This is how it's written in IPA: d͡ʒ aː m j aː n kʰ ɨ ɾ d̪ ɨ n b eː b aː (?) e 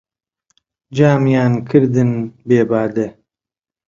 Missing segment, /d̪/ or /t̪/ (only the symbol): d̪